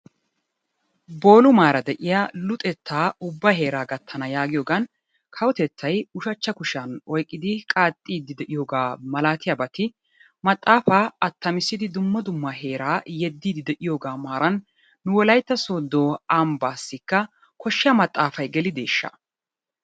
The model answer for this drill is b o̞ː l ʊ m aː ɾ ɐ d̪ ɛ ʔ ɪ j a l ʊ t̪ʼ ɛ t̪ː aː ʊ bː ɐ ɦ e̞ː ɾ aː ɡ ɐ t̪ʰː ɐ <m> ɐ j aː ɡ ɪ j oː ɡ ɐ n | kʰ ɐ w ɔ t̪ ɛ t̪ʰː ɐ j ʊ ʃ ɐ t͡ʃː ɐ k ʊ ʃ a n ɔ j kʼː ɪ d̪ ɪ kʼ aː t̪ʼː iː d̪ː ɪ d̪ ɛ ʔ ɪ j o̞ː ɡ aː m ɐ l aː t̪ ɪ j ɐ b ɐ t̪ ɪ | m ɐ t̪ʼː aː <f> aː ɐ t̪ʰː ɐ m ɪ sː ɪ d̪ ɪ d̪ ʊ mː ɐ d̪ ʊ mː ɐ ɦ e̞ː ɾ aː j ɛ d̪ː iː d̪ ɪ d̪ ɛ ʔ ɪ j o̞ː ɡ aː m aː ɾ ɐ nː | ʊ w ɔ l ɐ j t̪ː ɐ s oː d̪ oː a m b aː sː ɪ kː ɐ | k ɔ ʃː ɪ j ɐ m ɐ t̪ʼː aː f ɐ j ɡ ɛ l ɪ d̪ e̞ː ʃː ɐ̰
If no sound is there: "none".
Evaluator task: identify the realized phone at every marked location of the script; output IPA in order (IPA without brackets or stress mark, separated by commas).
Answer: n, f